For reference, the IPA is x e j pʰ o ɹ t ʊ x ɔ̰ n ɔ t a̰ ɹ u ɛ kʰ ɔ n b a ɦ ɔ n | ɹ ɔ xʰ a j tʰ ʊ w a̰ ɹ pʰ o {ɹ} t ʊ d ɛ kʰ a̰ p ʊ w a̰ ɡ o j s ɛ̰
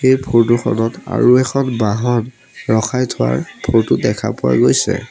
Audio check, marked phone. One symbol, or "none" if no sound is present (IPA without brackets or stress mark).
ɹ